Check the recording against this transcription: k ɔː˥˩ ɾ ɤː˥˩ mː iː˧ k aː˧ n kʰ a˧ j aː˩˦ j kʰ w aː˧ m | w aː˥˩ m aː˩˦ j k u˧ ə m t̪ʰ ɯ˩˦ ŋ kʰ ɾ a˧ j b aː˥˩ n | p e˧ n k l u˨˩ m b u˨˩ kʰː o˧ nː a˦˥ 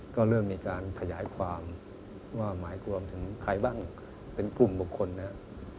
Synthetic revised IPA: k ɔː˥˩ ɾ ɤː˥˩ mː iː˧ k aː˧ n kʰ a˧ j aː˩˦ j kʰ w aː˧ m | w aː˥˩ m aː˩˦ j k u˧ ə m t̪ʰ ɯ˩˦ ŋ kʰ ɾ a˧ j b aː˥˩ ŋ | p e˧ n k l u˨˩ m b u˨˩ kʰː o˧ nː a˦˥